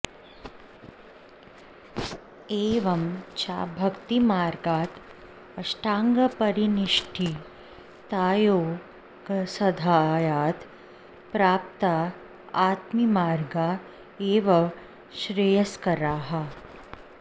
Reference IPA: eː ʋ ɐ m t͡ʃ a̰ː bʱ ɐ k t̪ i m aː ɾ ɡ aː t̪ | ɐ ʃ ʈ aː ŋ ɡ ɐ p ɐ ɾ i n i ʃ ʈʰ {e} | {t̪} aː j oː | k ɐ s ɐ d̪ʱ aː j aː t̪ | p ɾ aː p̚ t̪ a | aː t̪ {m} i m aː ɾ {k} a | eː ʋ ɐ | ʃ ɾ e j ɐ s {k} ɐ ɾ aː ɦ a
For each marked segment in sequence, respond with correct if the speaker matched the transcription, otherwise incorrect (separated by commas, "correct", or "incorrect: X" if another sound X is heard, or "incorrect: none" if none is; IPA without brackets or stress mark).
incorrect: i, correct, correct, incorrect: ɡ, correct